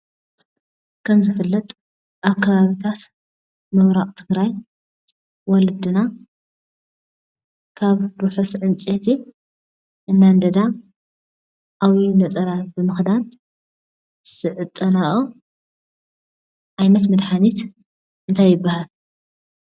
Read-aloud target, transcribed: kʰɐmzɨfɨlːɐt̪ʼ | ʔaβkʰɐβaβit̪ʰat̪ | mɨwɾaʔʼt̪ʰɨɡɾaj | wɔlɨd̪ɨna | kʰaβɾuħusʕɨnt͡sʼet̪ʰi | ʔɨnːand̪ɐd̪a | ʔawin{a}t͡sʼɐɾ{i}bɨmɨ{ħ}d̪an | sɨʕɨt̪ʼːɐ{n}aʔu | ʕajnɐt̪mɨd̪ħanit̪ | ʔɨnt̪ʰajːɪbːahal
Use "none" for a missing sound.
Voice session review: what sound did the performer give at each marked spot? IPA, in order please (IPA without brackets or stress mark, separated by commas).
ɐ, a, x, n